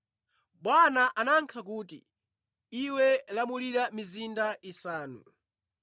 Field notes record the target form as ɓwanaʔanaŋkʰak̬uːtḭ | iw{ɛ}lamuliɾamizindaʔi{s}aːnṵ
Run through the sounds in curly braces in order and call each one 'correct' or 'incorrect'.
correct, correct

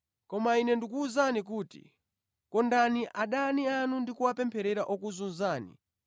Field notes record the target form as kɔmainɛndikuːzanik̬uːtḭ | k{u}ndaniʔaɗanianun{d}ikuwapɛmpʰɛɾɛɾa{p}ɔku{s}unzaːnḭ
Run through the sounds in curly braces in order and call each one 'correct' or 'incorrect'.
incorrect: ɔ, correct, incorrect: ʔ, incorrect: z

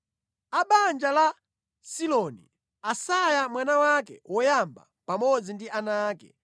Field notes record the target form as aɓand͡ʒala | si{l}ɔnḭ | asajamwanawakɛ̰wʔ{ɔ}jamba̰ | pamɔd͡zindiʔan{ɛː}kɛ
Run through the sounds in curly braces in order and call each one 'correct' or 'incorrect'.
correct, correct, incorrect: aː

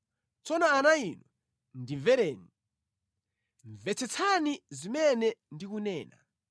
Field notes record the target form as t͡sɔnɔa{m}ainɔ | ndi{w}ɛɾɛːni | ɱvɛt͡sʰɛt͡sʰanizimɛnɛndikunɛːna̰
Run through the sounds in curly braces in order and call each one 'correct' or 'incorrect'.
incorrect: n, incorrect: v

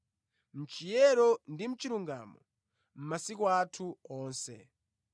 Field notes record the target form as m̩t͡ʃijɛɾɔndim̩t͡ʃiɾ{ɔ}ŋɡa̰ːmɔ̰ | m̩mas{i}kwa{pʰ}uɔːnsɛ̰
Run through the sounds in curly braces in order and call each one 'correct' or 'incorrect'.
incorrect: u, correct, incorrect: tʰ

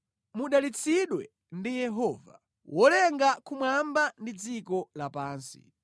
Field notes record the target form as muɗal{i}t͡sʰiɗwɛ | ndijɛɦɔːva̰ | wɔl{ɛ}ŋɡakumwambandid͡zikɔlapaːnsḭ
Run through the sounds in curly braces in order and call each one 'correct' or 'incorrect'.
correct, correct

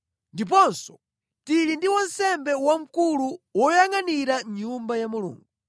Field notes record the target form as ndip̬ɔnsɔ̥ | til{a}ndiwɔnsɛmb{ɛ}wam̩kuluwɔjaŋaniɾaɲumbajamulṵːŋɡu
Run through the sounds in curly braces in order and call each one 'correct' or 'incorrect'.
incorrect: i, correct

